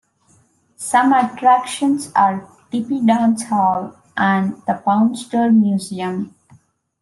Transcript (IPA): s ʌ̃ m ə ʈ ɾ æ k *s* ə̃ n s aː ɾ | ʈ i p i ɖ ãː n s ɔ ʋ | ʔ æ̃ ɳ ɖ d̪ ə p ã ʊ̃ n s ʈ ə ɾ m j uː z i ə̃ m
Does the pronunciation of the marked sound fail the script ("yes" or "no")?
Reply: yes